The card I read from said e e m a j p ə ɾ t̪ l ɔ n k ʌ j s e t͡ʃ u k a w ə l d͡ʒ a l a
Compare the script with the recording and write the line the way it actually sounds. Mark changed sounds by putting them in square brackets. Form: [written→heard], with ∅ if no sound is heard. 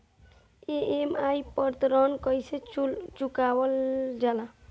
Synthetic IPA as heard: e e m a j p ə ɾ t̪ [l→ɾ] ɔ n k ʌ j s e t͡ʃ u k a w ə l d͡ʒ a l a